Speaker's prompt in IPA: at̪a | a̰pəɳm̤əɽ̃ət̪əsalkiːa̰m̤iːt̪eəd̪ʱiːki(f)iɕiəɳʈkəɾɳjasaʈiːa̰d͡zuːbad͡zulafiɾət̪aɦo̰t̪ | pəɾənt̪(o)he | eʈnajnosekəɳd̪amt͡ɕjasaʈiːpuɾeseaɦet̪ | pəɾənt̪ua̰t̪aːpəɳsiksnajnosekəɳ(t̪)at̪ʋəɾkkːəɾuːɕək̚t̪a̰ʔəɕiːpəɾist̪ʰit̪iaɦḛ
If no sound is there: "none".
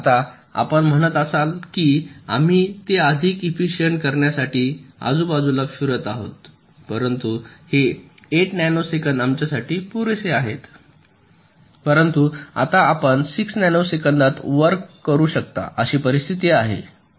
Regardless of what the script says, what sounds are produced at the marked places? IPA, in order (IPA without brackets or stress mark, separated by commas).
f, u, d̪